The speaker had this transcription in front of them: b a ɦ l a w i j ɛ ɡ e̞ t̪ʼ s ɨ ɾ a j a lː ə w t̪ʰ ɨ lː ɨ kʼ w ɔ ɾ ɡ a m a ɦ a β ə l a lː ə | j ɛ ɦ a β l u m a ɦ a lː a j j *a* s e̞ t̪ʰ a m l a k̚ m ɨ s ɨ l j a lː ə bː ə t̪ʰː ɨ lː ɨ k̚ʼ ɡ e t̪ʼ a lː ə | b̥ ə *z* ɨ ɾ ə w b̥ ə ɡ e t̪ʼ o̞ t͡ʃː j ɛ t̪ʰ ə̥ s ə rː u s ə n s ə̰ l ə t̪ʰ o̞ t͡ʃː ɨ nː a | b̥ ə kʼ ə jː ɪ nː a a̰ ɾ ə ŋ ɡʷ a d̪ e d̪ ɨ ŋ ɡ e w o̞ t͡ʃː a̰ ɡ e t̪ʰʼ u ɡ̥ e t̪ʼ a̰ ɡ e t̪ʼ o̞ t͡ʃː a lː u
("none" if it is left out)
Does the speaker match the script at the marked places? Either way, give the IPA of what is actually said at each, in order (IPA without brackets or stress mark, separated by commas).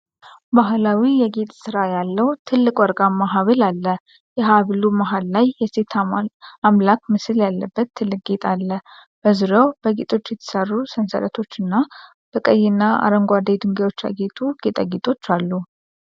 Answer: ɛ, z